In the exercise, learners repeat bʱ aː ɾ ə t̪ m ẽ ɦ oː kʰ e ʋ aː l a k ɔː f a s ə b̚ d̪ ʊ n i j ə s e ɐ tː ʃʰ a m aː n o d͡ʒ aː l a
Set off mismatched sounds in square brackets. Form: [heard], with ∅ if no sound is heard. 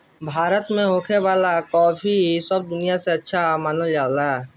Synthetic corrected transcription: bʱ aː ɾ ə t̪ m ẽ ɦ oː kʰ e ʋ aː l a k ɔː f [i] s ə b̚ d̪ ʊ n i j [a] s e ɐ tː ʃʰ a m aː n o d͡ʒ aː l a